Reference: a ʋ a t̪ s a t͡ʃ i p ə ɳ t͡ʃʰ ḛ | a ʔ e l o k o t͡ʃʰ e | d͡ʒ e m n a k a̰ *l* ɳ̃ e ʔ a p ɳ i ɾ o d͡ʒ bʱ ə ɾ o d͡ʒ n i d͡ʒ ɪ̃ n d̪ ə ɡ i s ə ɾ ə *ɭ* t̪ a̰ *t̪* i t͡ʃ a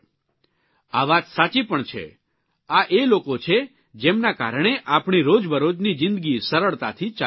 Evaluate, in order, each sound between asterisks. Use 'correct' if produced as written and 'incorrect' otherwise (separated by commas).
incorrect, correct, incorrect